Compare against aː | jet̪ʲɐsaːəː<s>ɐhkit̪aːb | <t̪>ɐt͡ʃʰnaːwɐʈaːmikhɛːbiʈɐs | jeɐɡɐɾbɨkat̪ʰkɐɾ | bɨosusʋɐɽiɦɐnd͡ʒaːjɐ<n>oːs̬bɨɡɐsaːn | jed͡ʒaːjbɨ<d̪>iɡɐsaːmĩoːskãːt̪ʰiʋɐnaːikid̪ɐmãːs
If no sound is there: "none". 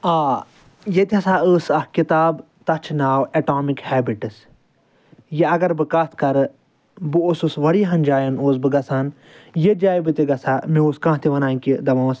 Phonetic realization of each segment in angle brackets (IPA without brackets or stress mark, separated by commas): s, t̪, n, t̪